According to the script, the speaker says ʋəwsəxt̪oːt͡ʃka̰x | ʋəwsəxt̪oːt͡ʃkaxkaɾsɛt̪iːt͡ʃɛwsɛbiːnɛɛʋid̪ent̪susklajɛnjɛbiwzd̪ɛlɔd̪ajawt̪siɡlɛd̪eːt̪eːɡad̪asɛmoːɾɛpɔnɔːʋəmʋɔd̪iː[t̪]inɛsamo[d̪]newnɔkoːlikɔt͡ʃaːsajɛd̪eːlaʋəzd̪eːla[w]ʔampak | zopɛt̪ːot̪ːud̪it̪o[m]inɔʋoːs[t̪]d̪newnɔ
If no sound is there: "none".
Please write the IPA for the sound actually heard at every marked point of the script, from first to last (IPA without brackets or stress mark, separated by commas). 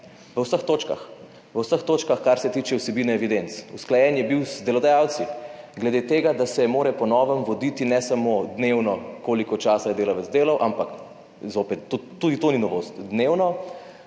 t̪, d̪, w, n, t̪